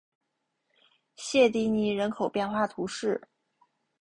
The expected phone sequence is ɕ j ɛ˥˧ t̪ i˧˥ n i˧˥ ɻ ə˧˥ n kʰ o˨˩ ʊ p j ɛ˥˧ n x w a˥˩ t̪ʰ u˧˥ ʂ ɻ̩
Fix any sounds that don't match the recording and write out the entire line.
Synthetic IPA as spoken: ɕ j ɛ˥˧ t̪ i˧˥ n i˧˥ ɻ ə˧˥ n kʰ o˨˩ ʊ p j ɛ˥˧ n x w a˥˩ t̪ʰ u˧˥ ʂ ɻ̩